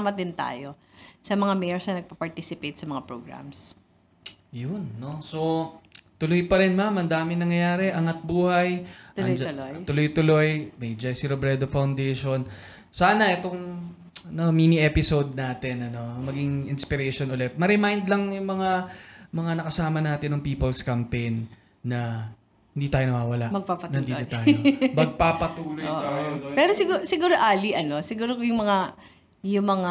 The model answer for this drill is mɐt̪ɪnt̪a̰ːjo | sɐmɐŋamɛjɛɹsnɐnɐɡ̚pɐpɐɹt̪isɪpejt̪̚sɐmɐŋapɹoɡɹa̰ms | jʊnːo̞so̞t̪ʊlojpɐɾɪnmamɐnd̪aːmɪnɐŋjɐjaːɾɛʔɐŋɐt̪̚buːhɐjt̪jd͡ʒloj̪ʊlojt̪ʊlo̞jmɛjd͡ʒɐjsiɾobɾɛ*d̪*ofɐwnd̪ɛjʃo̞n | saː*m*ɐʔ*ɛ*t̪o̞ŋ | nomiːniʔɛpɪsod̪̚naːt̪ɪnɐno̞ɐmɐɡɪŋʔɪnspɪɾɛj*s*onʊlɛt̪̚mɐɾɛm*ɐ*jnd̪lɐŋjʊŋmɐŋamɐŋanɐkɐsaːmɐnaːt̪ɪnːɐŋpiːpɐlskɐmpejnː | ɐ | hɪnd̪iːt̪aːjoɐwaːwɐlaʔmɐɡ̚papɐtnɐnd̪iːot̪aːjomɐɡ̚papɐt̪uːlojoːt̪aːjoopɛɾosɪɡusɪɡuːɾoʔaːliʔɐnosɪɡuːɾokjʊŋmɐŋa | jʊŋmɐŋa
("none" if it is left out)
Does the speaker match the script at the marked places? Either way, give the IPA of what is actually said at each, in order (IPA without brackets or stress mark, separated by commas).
d̪, n, ɛ, ʃ, a